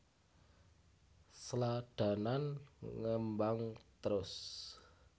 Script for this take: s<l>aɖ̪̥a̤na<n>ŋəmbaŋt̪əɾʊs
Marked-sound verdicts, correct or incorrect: correct, correct

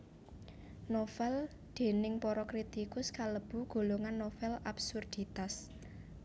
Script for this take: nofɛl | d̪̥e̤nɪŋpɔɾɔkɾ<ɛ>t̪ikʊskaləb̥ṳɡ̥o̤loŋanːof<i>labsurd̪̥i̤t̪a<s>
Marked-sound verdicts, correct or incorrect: incorrect: i, incorrect: ɛ, correct

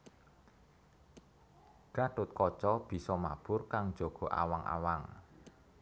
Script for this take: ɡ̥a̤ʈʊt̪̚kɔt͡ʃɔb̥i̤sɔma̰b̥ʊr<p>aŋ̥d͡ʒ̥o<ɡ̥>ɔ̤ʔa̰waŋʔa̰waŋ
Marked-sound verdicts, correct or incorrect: incorrect: k, correct

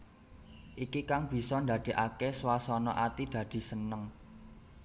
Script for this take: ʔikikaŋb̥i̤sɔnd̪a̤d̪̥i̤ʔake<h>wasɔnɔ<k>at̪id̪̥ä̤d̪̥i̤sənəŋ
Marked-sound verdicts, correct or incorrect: incorrect: s, incorrect: ʔ

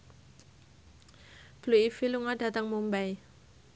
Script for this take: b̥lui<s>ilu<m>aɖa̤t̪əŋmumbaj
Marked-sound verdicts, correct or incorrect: incorrect: f, incorrect: ŋ

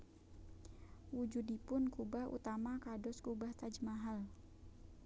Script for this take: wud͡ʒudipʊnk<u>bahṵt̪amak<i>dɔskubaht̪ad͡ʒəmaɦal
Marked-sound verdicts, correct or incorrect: correct, incorrect: a

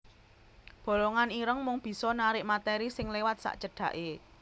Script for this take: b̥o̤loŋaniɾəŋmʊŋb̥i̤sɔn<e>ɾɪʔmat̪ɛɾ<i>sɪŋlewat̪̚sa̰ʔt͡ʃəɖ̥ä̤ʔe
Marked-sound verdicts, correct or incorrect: incorrect: a, correct

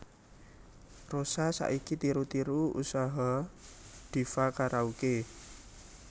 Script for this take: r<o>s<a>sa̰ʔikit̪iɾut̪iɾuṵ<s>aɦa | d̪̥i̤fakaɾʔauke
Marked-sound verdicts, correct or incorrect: correct, correct, correct

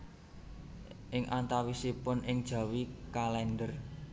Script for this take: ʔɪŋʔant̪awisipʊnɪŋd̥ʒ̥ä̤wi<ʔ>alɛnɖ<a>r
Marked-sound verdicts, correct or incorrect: incorrect: k, incorrect: ə

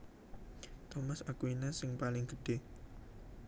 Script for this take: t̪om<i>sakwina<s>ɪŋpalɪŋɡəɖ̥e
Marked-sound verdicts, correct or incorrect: incorrect: a, correct

